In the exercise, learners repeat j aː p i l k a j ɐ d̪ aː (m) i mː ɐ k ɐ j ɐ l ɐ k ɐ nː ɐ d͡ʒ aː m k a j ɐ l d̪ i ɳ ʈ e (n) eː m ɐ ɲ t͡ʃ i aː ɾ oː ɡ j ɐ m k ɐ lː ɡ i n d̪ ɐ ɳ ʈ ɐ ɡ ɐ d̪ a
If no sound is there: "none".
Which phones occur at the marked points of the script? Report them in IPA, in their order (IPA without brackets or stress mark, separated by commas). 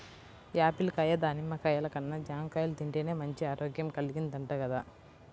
n, n